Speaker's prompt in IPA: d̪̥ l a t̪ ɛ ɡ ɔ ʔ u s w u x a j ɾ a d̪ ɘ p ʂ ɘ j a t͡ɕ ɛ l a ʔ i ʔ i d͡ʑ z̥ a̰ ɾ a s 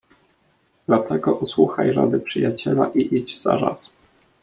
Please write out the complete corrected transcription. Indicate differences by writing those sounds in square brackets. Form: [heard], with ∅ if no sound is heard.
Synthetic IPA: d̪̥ l a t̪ ɛ ɡ ɔ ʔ u s w u x a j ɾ a d̪ ɘ p ʂ ɘ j a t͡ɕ ɛ l a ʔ i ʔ i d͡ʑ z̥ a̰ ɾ a s